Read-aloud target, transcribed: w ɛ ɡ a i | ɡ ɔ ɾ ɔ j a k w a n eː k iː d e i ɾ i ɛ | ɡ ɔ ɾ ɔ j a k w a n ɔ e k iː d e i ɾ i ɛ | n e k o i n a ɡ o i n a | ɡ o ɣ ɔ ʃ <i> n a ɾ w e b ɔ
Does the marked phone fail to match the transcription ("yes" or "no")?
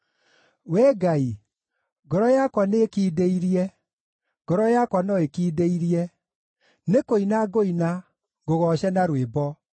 yes